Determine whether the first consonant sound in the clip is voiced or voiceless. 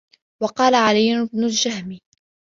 voiced